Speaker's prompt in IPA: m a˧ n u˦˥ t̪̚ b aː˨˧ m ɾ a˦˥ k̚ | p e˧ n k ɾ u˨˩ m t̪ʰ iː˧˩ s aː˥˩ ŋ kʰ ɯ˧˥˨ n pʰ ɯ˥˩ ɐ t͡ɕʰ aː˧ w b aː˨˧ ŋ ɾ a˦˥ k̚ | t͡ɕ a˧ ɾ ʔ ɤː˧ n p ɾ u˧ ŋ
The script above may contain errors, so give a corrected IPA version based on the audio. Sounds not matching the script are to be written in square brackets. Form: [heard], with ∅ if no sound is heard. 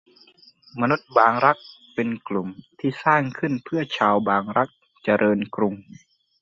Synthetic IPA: m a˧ n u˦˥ t̪̚ b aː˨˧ [ŋ] ɾ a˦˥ k̚ | p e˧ n k [l] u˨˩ m t̪ʰ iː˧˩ s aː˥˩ ŋ kʰ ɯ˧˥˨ n pʰ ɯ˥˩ ɐ t͡ɕʰ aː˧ w b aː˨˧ ŋ ɾ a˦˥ k̚ | t͡ɕ a˧ ɾ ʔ ɤː˧ n [k] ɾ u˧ ŋ